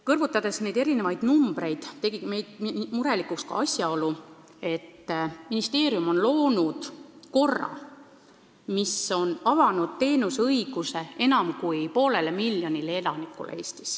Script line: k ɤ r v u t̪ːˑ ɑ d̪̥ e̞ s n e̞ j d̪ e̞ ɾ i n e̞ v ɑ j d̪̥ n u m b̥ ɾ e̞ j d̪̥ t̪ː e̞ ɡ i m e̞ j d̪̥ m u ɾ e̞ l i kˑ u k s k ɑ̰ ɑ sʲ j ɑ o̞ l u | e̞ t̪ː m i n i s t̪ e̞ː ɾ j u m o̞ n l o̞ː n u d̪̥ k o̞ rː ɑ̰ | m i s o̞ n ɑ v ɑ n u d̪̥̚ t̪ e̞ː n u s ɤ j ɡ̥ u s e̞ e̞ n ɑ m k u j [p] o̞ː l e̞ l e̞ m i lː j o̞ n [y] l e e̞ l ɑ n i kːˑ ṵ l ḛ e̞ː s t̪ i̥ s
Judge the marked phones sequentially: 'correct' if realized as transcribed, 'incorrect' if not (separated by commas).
correct, incorrect